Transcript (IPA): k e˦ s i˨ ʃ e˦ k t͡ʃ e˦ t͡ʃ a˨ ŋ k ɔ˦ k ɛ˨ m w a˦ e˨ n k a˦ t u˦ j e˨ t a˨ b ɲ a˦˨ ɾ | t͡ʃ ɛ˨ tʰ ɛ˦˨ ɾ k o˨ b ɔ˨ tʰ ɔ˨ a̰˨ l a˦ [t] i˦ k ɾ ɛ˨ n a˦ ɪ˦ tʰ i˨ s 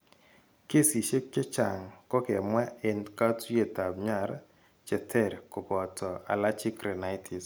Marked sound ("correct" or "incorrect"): incorrect